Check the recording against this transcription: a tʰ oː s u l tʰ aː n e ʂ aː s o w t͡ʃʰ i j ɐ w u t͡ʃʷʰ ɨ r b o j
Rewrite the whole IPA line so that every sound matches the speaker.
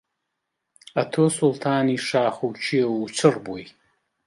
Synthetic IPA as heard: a tʰ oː s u l tʰ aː n i ʂ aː χ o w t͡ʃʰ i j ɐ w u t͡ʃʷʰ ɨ r b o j